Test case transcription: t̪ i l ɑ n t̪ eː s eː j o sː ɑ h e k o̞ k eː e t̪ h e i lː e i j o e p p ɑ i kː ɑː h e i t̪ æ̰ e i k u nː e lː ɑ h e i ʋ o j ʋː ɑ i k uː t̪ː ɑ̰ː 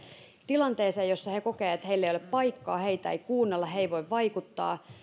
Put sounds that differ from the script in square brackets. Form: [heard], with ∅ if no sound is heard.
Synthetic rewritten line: t̪ i l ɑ n t̪ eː s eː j o sː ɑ h e k o̞ k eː e t̪ h e i lː e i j o e p p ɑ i kː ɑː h e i t̪ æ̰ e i k [uː] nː e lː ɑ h e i ʋ o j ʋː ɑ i k [u] t̪ː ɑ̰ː